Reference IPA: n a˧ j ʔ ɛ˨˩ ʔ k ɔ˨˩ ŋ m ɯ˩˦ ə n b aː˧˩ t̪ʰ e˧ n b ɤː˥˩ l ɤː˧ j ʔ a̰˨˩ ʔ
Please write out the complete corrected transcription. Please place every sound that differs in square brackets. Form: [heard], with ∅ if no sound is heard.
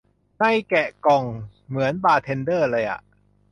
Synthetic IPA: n [a˥˩] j [k] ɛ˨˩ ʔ k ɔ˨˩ ŋ m ɯ˩˦ ə n b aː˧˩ t̪ʰ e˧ n [d] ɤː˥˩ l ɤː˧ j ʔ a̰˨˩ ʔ